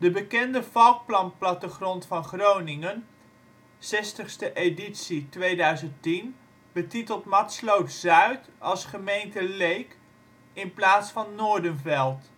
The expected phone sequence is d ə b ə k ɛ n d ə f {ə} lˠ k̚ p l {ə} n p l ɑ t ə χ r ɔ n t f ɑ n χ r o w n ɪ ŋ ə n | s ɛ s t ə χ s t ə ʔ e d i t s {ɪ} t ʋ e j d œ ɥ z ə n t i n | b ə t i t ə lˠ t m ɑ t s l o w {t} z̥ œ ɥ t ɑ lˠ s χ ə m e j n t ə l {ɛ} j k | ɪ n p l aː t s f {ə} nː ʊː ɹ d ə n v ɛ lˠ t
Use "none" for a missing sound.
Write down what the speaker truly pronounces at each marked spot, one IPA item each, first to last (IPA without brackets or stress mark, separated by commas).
ɑ, ɑ, i, t, e, ɑ